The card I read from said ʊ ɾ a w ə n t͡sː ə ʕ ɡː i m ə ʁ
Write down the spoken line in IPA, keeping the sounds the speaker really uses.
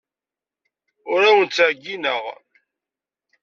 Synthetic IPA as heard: ʊ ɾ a w ə n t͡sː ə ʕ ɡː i n ə ʁ